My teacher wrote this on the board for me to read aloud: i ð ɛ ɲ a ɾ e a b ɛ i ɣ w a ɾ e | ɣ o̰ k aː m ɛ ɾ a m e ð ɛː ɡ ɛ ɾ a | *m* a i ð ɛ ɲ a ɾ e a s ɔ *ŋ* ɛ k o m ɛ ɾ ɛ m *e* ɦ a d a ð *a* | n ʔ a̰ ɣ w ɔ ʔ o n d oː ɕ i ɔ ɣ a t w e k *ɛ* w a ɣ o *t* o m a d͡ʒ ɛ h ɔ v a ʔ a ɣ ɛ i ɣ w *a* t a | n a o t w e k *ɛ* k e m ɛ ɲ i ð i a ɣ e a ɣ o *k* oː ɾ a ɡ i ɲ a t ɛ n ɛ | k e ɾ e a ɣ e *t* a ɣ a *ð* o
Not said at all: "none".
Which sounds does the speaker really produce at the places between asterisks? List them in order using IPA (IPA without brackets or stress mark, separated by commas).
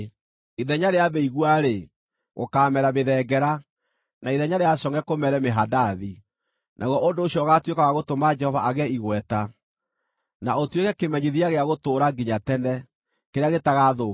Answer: n, ŋ, e, i, a, t, ɛ, ɛ, t, t, ð